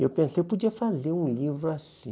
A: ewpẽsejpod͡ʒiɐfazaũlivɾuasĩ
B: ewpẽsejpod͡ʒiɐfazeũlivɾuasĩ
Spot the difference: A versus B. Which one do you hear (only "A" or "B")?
B